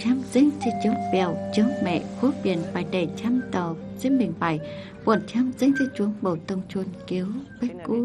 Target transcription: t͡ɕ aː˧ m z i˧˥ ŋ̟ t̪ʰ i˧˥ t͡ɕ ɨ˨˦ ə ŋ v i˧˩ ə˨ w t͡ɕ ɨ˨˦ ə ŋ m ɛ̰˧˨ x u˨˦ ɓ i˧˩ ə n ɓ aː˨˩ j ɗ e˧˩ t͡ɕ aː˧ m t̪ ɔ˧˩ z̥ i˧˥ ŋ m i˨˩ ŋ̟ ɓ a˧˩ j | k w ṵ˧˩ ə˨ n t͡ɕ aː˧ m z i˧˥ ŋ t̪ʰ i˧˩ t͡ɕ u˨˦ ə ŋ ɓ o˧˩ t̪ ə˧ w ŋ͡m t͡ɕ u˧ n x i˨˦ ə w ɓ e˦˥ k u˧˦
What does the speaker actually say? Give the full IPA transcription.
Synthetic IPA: t͡ɕ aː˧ m z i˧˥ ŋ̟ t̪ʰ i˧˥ t͡ɕ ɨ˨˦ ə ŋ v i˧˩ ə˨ w t͡ɕ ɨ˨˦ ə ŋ m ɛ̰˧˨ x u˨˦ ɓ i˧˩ ə n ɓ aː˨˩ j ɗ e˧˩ t͡ɕ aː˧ m t̪ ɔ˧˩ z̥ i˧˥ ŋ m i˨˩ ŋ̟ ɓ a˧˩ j | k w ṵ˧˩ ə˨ n t͡ɕ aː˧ m z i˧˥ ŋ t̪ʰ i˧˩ t͡ɕ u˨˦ ə ŋ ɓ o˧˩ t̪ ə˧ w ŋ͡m t͡ɕ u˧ n k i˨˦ ə w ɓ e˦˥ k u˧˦